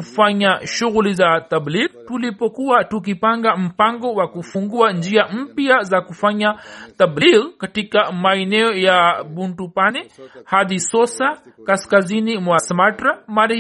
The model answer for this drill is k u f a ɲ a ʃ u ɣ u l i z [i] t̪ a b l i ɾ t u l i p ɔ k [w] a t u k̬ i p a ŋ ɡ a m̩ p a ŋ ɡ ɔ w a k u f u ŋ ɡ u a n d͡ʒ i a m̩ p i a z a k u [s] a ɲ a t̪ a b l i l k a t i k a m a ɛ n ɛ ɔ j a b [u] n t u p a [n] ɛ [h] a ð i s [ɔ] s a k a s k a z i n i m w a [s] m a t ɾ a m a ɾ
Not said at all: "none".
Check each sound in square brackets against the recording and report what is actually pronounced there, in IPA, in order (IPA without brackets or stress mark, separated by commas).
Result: a, u, f, u, n, h, ɔ, s